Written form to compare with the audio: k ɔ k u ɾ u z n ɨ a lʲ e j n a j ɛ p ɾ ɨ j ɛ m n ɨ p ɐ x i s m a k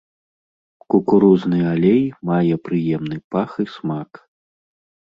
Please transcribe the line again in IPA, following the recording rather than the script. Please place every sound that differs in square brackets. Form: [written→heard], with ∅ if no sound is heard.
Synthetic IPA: k [ɔ→u] k u ɾ u z n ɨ a lʲ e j [n→m] a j ɛ p ɾ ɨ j ɛ m n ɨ p [ɐ→a] x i s m a k